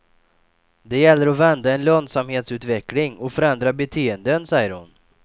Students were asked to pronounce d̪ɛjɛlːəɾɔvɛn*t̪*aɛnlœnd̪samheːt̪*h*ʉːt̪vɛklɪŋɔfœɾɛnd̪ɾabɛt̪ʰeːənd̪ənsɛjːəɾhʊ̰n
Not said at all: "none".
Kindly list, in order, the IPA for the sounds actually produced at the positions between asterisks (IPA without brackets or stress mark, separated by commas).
d̪, s